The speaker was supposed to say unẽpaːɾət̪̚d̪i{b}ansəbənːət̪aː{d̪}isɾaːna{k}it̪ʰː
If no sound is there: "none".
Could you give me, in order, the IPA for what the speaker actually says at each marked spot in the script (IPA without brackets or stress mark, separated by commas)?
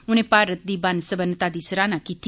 b, d̪, k